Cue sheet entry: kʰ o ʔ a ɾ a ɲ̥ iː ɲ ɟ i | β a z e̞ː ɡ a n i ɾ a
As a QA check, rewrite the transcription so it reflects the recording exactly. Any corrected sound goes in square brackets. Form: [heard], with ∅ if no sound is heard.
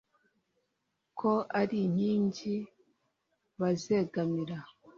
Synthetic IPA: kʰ o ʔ a ɾ [i] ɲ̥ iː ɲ ɟ i | β a z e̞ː ɡ a [m] i ɾ a